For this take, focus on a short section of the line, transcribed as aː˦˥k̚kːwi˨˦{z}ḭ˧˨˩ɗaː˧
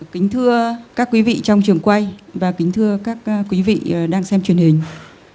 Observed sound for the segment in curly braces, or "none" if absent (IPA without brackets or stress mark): v